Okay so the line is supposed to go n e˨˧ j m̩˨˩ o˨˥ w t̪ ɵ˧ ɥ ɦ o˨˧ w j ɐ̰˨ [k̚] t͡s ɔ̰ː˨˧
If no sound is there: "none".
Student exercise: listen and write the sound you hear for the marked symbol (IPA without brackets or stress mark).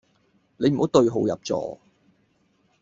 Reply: p̚